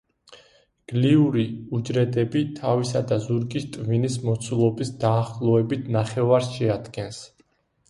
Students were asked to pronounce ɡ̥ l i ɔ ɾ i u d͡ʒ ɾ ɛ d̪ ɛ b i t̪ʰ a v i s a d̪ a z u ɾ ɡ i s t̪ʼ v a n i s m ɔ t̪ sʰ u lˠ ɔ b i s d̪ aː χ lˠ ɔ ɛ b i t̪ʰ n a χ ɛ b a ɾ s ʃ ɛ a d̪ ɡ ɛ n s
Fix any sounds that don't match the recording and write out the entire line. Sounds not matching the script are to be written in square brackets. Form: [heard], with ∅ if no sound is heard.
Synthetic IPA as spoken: ɡ̥ l i [u] ɾ i u d͡ʒ ɾ ɛ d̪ ɛ b i t̪ʰ a v i s a d̪ a z u ɾ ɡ i s t̪ʼ v [i] n i s m ɔ t̪ sʰ u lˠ ɔ b i s d̪ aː χ lˠ ɔ ɛ b i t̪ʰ n a χ ɛ [v] a ɾ s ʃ ɛ a d̪ ɡ ɛ n s